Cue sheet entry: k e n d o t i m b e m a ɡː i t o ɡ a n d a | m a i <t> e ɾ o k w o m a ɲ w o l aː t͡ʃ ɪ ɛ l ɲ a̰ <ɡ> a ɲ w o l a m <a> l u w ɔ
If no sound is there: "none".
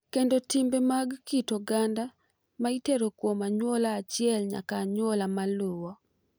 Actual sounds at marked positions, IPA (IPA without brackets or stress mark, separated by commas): t, k, a